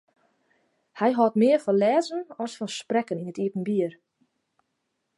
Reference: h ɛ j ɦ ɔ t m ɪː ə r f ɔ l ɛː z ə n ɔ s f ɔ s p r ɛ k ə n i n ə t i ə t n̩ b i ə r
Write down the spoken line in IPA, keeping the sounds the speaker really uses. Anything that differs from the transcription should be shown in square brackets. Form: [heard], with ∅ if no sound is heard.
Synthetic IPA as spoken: h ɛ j ɦ ɔ t m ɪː ə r f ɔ l ɛː z ə n ɔ s f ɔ s p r ɛ k ə n i n ə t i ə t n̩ b i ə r